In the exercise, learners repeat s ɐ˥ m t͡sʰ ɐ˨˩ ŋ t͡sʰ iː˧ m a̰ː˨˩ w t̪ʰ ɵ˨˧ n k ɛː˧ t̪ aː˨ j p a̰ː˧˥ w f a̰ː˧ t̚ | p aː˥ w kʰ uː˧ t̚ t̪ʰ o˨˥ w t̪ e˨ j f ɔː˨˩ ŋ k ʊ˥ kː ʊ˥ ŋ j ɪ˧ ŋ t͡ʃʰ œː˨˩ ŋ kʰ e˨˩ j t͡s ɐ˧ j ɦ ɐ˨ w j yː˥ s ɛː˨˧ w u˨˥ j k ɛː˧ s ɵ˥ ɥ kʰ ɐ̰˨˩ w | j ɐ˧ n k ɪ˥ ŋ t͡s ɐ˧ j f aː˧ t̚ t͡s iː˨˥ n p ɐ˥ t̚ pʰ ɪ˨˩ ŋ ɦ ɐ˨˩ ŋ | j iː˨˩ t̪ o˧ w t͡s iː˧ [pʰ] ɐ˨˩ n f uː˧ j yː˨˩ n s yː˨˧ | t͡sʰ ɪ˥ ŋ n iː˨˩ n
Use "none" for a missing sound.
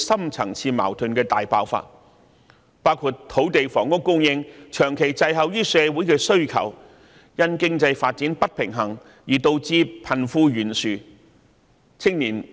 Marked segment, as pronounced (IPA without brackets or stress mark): pʰ